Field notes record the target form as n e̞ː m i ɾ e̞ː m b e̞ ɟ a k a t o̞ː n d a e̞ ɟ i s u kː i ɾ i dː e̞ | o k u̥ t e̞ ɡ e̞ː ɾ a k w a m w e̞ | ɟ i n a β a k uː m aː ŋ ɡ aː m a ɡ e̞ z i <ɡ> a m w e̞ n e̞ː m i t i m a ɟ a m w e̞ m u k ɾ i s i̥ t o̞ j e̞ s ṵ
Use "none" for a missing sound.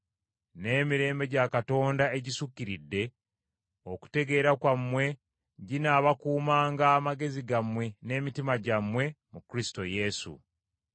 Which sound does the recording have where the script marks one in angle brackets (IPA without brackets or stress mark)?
ɡ